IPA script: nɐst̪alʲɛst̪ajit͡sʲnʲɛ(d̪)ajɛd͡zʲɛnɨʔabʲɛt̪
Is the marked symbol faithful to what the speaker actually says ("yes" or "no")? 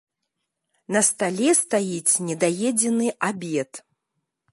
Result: yes